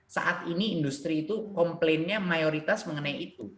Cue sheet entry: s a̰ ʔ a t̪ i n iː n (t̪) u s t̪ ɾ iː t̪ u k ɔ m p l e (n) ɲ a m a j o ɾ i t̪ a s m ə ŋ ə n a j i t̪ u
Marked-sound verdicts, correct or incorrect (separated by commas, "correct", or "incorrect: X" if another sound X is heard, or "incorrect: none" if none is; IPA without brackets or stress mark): incorrect: d̪, correct